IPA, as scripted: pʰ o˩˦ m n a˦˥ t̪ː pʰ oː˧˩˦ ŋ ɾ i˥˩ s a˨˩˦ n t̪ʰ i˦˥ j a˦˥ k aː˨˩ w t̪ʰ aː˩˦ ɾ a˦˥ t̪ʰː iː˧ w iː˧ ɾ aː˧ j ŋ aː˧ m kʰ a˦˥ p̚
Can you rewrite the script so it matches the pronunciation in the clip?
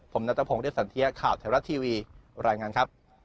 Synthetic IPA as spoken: pʰ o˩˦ m n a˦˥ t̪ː pʰ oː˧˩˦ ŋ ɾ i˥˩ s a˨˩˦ n t̪ʰ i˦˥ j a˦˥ kʰ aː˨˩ w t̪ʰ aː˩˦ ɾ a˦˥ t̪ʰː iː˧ w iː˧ ɾ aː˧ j ŋ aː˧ n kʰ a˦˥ p̚